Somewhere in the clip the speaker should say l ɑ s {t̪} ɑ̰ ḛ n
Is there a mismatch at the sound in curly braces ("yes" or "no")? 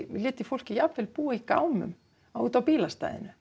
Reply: no